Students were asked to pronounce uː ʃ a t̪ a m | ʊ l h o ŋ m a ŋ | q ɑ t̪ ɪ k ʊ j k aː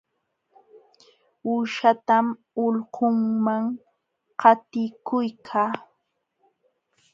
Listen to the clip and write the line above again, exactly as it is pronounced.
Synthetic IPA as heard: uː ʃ a t̪ a m | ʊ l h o ŋ m a ŋ | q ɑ t̪ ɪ k ʊ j kʰ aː